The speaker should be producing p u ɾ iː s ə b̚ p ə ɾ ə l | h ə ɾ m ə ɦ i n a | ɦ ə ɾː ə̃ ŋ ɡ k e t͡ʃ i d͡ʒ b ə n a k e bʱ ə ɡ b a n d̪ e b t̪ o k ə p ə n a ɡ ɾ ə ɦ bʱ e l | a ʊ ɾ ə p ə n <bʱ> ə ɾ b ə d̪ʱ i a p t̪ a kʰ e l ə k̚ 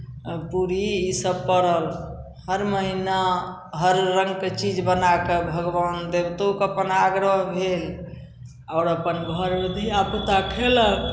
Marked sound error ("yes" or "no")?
yes